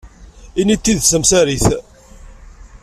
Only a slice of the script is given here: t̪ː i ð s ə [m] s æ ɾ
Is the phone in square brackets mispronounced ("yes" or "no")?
no